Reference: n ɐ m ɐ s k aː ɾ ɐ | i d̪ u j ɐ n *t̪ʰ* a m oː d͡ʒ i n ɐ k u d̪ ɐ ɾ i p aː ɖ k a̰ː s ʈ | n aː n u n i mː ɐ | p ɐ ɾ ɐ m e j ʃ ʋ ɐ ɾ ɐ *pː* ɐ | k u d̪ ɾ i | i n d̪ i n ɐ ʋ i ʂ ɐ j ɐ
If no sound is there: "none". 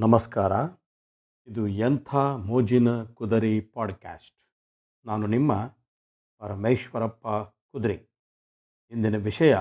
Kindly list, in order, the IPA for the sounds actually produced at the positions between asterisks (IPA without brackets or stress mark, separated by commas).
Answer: t̪ʰ, pː